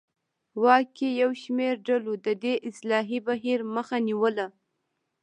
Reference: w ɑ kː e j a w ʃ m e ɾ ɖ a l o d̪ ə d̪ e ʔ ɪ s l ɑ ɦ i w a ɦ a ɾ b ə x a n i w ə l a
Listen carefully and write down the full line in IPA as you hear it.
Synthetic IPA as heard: w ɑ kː e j a w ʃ m e ɾ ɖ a l o d̪ ə d̪ e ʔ ɪ s l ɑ ɦ i b a ɦ i ɾ m ə x a n i w ə l a